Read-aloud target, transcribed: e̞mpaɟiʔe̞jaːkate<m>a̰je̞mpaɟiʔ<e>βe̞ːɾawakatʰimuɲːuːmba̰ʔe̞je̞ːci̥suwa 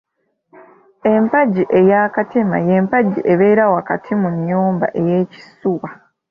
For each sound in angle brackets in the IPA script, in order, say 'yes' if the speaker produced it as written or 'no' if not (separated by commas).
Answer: yes, yes